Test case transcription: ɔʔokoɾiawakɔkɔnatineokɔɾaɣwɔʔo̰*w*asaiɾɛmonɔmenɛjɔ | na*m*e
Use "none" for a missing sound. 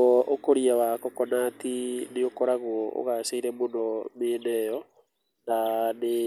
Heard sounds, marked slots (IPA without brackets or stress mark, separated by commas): ɣ, n